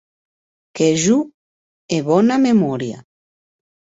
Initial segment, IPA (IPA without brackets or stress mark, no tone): k